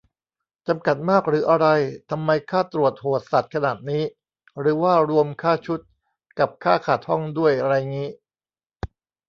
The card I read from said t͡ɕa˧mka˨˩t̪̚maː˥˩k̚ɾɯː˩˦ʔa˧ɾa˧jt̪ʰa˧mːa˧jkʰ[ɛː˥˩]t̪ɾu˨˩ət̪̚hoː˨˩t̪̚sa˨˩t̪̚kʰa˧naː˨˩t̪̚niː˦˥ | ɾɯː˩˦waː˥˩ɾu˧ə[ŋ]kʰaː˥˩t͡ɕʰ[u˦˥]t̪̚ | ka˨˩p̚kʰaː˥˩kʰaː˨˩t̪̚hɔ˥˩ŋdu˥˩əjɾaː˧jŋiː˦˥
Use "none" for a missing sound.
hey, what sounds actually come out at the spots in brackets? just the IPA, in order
aː˥˩, m, u˦˥

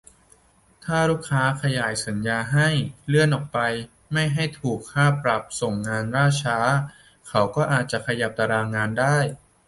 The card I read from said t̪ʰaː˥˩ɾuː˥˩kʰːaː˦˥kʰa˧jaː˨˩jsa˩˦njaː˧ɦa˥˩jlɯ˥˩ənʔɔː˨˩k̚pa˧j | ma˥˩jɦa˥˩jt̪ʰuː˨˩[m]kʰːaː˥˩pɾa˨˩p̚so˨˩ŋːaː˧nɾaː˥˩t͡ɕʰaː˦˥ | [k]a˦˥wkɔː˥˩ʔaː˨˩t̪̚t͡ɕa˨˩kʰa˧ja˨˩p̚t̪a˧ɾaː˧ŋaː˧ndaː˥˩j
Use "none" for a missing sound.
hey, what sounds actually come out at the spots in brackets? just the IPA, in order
none, kʰ

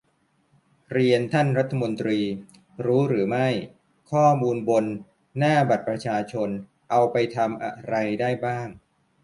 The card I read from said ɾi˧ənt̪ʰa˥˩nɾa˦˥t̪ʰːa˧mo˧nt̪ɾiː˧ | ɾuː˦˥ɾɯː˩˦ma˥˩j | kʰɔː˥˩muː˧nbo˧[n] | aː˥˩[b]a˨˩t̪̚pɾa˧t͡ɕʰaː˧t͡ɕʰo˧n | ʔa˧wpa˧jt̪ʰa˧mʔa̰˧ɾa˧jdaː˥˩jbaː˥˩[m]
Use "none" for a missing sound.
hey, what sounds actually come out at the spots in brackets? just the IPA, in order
nː, b, ŋ

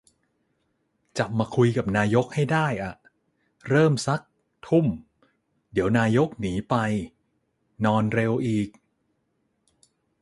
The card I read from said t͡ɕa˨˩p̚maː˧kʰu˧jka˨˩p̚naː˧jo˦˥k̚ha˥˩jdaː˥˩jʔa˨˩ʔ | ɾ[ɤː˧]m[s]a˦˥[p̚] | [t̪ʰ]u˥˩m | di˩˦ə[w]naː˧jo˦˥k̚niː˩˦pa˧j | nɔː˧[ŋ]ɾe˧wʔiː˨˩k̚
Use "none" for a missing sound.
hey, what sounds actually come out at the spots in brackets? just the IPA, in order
ɤː˥˩, s, k̚, t̪ʰ, w, n

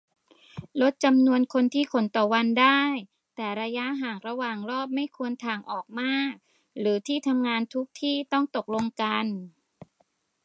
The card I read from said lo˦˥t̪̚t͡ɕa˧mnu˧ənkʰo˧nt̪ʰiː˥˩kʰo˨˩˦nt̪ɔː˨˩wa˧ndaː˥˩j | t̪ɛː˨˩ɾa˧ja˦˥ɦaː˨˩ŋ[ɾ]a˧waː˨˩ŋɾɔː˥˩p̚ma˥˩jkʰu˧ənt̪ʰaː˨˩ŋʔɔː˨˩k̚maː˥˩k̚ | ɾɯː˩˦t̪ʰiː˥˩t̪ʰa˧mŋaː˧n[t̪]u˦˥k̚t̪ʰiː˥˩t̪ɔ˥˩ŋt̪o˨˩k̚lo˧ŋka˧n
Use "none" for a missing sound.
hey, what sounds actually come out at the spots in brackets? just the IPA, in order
ɾ, t̪ʰ

